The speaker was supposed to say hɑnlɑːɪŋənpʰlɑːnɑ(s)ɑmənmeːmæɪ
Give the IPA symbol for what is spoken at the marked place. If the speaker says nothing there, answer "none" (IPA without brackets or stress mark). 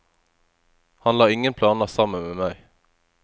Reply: s